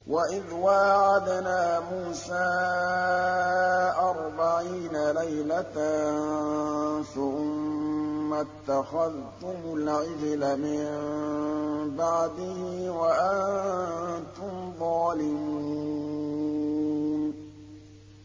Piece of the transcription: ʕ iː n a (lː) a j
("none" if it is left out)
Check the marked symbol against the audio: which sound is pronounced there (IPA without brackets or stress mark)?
l